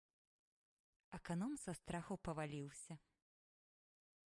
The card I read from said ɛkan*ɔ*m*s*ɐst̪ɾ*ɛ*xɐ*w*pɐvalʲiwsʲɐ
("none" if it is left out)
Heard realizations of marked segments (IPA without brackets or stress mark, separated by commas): ɔ, s, a, w